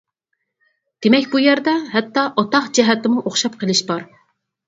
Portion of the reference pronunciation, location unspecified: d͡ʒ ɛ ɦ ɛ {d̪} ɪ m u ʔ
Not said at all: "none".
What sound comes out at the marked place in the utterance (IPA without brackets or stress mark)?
t̪